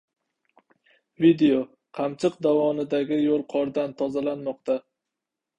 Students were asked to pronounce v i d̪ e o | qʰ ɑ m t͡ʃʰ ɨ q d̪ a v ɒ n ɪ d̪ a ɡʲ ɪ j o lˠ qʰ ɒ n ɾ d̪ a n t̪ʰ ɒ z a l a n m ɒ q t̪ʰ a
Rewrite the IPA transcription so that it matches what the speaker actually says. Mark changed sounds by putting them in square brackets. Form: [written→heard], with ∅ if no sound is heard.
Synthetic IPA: v i d̪ e o | qʰ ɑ m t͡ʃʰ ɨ q d̪ a v ɒ n ɪ d̪ a ɡʲ ɪ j o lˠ qʰ ɒ [n→∅] ɾ d̪ a n t̪ʰ ɒ z a l a n m ɒ q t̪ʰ a